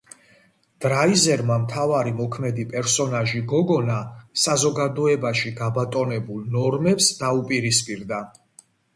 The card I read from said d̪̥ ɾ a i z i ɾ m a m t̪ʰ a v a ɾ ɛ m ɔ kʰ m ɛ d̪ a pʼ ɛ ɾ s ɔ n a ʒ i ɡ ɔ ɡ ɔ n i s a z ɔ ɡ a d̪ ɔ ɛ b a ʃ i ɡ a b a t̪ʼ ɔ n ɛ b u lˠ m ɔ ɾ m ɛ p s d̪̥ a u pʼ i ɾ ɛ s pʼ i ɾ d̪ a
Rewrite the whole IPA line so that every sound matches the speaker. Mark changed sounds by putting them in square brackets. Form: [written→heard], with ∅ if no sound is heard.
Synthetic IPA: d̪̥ ɾ a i z [i→ɛ] ɾ m a m t̪ʰ a v a ɾ [ɛ→i] m ɔ kʰ m ɛ d̪ [a→i] pʼ ɛ ɾ s ɔ n a ʒ i ɡ ɔ ɡ ɔ n [i→a] s a z ɔ ɡ a d̪ ɔ ɛ b a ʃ i ɡ a b a t̪ʼ ɔ n ɛ b u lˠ [m→n] ɔ ɾ m ɛ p s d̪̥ a u pʼ i ɾ [ɛ→i] s pʼ i ɾ d̪ a